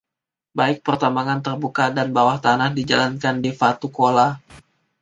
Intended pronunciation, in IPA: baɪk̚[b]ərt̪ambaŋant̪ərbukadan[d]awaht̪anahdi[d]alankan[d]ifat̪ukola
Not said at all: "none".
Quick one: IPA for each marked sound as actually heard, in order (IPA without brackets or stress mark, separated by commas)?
p, b, d͡ʒ, d